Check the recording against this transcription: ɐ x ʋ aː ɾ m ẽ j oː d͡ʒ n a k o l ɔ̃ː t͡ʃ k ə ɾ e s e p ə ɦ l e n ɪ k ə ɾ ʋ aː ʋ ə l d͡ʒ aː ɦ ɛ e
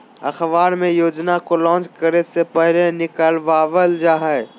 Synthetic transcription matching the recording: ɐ x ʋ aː ɾ m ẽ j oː d͡ʒ n a k o l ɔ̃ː t͡ʃ k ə ɾ e s e p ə ɦ l e n ɪ k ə l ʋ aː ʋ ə l d͡ʒ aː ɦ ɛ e